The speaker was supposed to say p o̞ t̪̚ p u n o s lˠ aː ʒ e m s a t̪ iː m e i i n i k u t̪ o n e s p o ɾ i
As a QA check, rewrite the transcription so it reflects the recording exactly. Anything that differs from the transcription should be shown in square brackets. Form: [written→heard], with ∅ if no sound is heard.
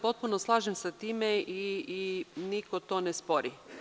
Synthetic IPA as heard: p o̞ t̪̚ p u n o s lˠ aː ʒ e m s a t̪ iː m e i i n i k [u→o] t̪ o n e s p o ɾ i